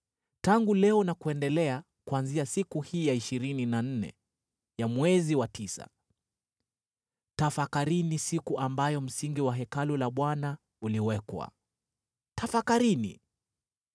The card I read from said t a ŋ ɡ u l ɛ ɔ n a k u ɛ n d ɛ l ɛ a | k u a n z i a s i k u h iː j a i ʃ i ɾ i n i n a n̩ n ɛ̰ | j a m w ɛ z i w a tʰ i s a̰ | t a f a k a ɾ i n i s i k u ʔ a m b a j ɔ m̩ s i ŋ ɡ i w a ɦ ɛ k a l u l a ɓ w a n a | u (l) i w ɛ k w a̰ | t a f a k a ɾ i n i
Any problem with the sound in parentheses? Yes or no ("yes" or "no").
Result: no